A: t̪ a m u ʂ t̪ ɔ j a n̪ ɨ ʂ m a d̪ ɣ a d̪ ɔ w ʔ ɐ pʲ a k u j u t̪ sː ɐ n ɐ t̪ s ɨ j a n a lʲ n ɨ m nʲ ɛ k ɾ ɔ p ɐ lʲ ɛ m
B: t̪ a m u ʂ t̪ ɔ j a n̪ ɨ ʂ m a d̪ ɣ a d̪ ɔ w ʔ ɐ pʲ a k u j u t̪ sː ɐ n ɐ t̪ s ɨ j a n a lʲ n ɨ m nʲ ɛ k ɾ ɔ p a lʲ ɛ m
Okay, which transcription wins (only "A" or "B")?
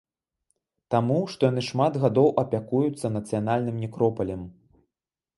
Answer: A